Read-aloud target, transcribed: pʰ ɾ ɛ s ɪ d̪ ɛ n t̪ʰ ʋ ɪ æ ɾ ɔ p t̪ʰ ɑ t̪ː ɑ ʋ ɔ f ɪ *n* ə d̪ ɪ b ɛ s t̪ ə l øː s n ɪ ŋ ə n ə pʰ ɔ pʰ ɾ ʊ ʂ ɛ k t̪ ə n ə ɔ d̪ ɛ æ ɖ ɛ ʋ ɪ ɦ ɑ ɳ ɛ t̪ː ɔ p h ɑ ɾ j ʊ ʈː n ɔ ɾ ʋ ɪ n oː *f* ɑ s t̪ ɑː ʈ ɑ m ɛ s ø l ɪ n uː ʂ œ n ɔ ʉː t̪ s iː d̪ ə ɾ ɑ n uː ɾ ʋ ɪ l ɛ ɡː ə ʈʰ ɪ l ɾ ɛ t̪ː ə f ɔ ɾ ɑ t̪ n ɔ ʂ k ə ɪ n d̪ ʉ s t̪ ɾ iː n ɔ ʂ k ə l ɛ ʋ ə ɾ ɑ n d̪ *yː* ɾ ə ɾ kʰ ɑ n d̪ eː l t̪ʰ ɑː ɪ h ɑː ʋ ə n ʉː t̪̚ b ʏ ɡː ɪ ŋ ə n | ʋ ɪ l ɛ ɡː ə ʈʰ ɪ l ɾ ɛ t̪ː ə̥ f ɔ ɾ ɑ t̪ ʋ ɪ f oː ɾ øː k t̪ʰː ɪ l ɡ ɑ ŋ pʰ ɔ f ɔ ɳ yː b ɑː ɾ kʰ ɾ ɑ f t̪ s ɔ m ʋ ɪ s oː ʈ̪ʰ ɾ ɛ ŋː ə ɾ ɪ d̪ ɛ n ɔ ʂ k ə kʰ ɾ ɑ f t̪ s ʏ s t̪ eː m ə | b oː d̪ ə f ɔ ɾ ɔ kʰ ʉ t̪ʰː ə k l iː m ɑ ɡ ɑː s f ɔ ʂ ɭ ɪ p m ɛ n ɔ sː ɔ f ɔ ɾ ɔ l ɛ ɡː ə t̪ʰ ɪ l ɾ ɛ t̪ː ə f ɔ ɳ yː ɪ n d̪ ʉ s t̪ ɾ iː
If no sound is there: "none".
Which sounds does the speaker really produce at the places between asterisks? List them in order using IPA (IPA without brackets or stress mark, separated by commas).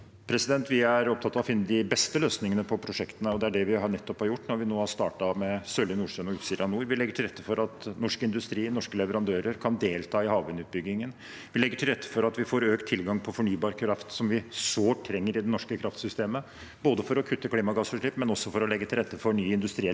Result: nː, h, øː